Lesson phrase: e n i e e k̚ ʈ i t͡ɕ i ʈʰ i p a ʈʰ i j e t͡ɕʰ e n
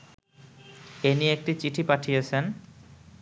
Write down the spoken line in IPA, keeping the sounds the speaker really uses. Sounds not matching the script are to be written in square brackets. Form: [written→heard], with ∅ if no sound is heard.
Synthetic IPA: e n i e e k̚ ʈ i t͡ɕ i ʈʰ i p a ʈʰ i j e t͡ɕʰ e n